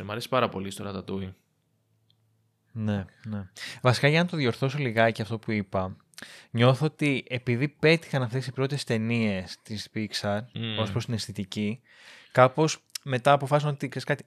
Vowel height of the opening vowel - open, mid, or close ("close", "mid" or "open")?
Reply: open